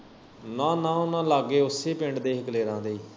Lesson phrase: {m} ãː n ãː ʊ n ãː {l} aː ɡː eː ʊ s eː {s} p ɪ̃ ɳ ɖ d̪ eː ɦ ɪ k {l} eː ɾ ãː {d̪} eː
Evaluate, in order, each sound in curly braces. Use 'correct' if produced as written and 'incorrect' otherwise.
incorrect: n, correct, incorrect: none, correct, correct

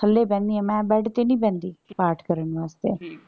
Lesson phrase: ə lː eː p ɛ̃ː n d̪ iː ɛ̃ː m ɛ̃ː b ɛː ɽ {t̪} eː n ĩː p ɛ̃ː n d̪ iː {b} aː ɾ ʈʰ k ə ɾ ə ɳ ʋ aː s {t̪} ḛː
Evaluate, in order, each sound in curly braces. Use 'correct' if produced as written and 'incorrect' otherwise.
correct, incorrect: p, correct

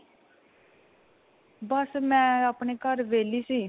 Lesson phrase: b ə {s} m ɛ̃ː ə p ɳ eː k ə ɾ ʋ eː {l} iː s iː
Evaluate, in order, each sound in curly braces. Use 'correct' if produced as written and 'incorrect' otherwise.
correct, correct

